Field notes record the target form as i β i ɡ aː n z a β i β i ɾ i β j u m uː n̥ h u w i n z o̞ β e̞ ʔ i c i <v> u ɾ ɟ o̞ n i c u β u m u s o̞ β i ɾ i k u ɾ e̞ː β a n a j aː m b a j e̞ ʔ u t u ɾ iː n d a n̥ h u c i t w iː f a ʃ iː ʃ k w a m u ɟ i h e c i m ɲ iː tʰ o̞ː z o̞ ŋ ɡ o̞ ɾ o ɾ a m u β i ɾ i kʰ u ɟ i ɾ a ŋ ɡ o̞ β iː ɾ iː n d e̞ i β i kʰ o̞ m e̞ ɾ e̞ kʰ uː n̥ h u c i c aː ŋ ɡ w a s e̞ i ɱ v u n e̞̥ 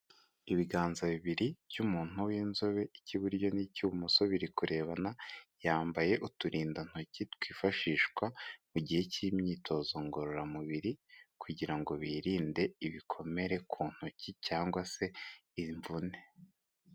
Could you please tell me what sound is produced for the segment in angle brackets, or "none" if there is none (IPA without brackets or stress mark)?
β